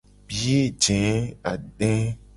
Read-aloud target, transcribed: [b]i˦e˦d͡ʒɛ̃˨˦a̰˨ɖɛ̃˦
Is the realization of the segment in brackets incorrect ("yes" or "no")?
no